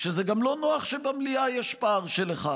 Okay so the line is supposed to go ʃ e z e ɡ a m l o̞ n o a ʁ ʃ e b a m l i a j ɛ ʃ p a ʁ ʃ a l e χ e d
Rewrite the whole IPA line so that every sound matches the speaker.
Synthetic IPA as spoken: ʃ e z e ɡ a m l o̞ n o a χ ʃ e b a m l i a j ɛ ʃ p a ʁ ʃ e l e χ a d

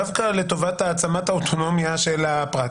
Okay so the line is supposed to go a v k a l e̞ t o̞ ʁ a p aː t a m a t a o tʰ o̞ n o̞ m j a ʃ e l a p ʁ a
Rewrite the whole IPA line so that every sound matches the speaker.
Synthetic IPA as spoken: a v k a l e̞ t o̞ v a t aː t͡s a m a t a o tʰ o̞ n o̞ m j a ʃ e l a p ʁ a

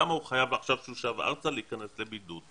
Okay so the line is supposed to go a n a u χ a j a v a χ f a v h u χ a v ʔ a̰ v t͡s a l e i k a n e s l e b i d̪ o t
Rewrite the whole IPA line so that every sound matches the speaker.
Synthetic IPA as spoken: a m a u χ a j a v a χ ʃ a v ʃ u ʃ a v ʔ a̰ ʁ t͡s a l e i k a n e s l e b i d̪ u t

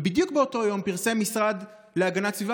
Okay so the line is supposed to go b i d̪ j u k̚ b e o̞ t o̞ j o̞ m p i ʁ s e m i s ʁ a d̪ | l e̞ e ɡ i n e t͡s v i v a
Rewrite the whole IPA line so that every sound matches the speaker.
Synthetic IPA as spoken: b i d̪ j u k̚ b e o̞ t o̞ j o̞ m p i ʁ s e m i s ʁ a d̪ | l e̞ a ɡ a n a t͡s v i v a

